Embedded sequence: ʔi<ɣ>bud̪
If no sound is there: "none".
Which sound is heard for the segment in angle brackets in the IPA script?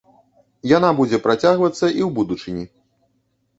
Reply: w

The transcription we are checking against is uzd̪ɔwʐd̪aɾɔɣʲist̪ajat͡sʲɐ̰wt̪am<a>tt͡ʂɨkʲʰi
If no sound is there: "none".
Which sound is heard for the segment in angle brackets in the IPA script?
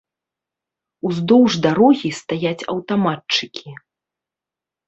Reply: a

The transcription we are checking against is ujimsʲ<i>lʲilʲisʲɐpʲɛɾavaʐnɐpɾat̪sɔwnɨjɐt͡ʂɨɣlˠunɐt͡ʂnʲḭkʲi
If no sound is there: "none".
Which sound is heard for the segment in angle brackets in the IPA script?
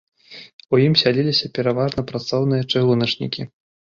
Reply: a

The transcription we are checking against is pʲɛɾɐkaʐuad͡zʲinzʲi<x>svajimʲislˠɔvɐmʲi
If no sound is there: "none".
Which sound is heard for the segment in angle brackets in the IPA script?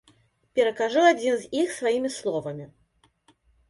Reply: x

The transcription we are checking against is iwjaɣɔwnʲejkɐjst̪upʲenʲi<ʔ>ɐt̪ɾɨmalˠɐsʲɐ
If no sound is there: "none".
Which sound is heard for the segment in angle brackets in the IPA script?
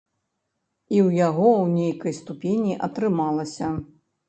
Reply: ʔ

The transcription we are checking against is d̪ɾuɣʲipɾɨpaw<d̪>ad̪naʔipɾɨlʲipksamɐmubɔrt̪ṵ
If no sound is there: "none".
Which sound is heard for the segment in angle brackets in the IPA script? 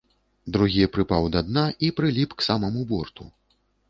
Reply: d̪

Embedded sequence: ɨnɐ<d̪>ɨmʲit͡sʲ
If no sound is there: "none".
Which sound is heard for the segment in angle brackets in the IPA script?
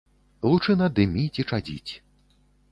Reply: d̪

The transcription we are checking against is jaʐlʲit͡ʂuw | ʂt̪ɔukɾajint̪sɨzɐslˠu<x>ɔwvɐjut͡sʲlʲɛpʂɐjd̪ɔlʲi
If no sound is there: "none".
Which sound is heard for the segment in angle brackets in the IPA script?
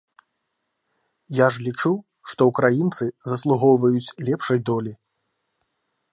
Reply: ɣ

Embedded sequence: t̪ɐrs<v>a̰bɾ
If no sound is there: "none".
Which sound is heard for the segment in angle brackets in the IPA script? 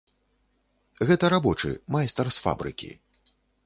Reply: f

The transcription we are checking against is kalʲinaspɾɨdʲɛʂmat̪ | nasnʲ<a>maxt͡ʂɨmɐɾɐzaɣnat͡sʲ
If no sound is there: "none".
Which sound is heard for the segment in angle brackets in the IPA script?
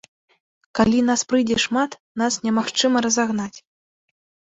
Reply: ɛ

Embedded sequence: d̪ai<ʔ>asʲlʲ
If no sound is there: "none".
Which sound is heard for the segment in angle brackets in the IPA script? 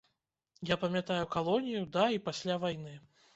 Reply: p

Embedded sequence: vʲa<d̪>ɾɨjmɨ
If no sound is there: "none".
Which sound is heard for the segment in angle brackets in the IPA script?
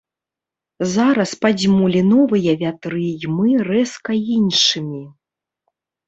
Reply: t̪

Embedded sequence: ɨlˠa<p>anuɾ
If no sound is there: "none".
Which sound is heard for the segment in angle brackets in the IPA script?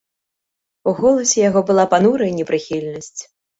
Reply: p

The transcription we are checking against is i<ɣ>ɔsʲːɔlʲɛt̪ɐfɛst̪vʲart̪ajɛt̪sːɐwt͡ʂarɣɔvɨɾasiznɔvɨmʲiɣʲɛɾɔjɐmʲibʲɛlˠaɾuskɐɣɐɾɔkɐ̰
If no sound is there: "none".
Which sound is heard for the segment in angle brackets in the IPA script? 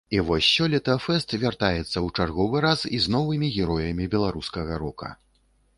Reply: v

